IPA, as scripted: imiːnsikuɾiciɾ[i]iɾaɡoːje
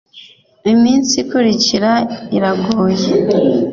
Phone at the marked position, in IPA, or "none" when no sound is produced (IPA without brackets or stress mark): a